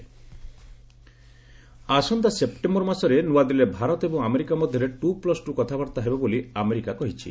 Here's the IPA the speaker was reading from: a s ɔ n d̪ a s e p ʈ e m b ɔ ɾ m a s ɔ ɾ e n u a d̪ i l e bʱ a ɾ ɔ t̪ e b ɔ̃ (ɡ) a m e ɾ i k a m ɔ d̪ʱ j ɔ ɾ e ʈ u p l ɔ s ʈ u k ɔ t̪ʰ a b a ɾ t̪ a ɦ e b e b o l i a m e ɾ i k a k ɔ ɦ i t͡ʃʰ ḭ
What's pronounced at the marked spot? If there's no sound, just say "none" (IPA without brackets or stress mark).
ŋ